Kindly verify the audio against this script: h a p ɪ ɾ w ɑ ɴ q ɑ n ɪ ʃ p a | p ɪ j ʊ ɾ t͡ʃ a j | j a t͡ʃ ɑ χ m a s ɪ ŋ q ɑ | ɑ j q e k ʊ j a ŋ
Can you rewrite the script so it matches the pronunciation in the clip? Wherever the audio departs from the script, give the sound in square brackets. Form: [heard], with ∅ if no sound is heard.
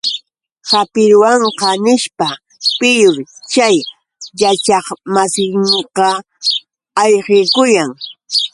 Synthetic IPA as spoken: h a p ɪ ɾ w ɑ ɴ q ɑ n ɪ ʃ p a | p ɪ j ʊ ɾ t͡ʃ a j | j a t͡ʃ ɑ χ m a s ɪ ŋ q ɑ | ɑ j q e k ʊ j a ŋ